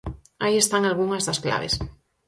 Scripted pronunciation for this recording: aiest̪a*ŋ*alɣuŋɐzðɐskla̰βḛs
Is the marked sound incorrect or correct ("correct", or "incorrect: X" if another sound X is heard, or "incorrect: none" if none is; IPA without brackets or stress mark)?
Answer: correct